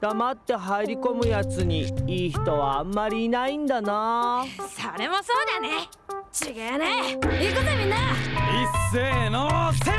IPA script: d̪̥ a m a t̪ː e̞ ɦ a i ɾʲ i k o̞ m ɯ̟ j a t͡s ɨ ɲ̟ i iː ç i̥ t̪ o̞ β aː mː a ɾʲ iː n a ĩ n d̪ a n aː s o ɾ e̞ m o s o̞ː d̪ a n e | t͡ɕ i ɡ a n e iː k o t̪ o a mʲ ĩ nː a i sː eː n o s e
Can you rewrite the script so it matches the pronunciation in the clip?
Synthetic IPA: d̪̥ a m a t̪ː e̞ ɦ a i ɾʲ i k o̞ m ɯ̟ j a t͡s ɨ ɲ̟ i iː ç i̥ t̪ o̞ β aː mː a ɾʲ iː n a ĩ n d̪ a n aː s o ɾ e̞ m o s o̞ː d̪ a n e | t͡ɕ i ɡ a n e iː k o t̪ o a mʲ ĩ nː a i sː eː n o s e